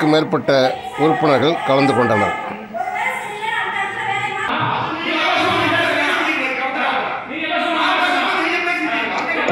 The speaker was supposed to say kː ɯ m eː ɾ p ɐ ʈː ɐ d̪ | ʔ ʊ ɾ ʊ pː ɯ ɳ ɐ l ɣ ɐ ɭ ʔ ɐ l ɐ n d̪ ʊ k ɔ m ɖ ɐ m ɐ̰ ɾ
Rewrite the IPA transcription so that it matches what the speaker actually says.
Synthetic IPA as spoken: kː ɯ m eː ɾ p ɐ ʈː ɐ | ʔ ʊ ɾ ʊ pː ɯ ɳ ɐ ɾ ɣ ɐ ɭ k ɐ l ɐ n d̪ ɯ k ɔ ɳ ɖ ɐ n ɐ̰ ɾ